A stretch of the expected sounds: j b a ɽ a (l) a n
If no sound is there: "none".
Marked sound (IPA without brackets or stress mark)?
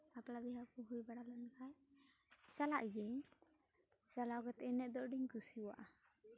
l